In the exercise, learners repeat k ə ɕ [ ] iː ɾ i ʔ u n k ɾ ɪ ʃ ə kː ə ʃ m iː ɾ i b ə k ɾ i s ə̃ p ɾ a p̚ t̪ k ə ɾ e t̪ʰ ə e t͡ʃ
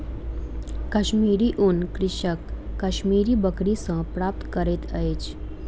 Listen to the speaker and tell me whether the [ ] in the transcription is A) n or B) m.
B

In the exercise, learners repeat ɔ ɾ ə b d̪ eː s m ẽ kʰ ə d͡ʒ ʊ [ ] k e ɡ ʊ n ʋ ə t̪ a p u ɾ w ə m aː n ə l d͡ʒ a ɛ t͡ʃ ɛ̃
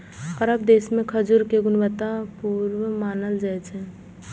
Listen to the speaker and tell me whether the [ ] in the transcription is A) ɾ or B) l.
A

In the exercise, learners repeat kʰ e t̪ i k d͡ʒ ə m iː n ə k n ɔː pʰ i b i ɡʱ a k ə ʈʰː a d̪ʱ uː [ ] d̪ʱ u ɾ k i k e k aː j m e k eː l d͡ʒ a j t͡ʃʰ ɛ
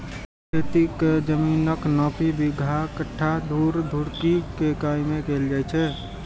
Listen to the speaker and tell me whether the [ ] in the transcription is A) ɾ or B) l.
A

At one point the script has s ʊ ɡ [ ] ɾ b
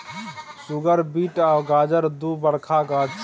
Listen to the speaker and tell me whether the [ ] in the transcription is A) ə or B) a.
A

